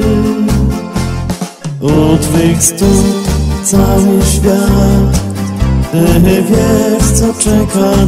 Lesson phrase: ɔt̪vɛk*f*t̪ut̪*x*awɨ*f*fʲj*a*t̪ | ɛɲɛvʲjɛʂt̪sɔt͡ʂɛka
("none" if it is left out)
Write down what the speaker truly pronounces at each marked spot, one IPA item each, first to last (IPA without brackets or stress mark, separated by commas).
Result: s, s, ɕ, a